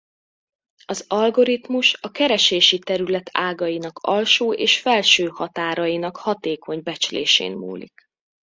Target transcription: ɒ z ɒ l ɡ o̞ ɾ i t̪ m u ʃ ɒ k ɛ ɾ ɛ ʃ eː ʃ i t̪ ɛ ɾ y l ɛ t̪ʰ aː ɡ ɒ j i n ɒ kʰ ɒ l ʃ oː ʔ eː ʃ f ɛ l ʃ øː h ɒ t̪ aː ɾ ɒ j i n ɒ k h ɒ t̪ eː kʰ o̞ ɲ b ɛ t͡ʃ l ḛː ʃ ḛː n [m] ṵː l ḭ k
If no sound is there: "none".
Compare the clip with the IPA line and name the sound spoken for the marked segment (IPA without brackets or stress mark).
m